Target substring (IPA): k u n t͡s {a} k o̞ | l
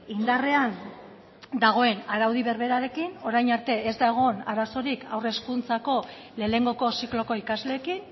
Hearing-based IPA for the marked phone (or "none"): a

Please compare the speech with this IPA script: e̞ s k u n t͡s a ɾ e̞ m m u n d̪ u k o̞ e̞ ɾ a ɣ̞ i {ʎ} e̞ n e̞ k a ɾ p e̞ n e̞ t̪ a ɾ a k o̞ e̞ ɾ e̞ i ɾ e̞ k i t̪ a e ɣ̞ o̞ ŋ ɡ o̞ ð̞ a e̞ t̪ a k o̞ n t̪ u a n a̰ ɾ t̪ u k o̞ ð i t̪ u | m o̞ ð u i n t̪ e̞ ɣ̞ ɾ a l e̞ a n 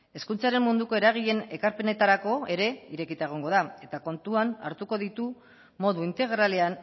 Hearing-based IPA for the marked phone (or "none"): ʎ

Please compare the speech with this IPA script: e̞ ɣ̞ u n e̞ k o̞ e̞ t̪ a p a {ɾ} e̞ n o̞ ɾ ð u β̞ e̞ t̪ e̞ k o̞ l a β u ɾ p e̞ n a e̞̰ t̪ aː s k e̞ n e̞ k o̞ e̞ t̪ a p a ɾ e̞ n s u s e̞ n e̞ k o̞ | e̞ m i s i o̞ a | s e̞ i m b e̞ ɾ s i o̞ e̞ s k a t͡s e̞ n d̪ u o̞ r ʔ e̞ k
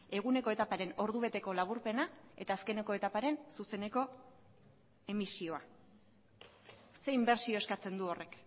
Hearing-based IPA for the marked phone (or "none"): ɾ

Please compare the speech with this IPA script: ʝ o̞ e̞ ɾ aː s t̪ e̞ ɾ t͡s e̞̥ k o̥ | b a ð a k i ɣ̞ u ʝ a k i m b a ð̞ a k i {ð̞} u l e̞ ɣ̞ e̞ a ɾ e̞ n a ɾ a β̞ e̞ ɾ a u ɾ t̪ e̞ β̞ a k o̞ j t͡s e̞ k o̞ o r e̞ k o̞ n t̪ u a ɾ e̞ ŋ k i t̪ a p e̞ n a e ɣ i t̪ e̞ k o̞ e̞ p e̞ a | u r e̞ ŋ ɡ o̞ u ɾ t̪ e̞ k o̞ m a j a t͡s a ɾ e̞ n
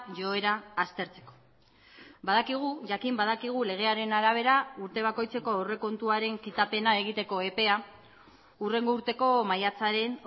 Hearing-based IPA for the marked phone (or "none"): ɣ̞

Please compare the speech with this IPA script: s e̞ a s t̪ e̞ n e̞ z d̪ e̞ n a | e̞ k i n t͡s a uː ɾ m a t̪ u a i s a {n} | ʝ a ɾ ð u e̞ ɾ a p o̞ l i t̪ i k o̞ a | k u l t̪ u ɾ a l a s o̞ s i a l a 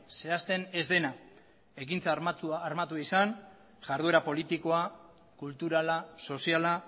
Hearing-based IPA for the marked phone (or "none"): n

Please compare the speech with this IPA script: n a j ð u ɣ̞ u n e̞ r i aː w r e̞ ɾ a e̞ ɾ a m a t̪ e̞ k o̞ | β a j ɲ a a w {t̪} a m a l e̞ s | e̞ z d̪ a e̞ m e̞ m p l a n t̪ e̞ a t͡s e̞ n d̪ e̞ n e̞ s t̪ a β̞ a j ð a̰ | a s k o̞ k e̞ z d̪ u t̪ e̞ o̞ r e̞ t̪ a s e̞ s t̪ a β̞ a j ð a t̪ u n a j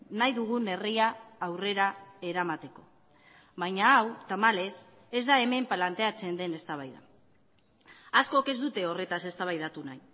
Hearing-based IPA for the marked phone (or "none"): t̪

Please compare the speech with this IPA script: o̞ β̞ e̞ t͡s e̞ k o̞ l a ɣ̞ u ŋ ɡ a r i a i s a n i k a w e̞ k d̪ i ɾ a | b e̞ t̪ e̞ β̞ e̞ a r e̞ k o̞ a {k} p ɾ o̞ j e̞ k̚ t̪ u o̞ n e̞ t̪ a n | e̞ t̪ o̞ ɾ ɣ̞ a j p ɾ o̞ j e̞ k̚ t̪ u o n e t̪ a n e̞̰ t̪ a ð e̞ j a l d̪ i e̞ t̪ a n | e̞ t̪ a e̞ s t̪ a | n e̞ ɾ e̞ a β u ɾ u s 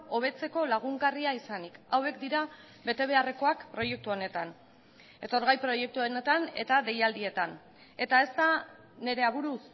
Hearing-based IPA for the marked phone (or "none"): k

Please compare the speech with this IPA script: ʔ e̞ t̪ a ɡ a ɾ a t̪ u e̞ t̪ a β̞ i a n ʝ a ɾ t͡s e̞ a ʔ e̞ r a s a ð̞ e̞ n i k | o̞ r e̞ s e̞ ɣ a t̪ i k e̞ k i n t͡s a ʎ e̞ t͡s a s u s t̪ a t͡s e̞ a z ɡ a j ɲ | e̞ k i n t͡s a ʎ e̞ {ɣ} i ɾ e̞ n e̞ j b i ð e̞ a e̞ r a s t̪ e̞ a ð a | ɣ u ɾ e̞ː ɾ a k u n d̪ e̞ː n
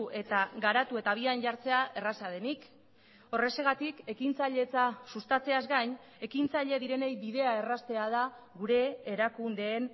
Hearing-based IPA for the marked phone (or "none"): ð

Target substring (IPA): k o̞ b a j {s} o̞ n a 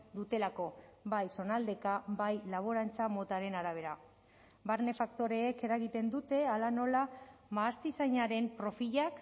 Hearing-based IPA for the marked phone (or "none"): s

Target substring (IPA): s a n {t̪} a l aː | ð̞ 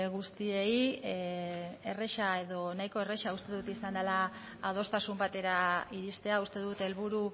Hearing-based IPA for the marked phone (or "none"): d̪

